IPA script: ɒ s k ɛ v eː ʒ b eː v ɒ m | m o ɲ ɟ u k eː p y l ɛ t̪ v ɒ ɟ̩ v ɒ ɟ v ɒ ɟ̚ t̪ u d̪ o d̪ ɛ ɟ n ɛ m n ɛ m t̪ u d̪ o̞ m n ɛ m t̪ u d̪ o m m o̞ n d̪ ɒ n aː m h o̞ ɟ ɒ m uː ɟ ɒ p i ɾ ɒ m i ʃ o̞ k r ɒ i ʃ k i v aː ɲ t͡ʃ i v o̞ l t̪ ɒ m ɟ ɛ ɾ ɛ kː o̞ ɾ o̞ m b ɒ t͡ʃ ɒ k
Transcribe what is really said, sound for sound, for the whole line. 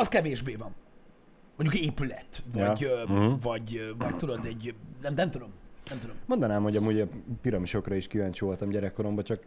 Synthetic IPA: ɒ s k ɛ v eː ʒ b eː v ɒ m | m o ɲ ɟ u k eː p y l ɛ t̪ v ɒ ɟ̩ v ɒ ɟ v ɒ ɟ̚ t̪ u d̪ o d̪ ɛ ɟ n ɛ m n ɛ m t̪ u d̪ o̞ m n ɛ m t̪ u d̪ o m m o̞ n d̪ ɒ n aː m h o̞ ɟ ɒ m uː ɟ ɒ p i ɾ ɒ m i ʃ o̞ k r ɒ i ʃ k i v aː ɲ t͡ʃ i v o̞ l t̪ ɒ m ɟ ɛ ɾ ɛ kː o̞ ɾ o̞ m b ɒ t͡ʃ ɒ k